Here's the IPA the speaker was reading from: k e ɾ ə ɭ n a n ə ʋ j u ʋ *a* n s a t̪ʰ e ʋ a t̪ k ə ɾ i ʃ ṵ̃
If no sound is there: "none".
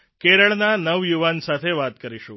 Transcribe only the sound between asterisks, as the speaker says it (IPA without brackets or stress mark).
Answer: a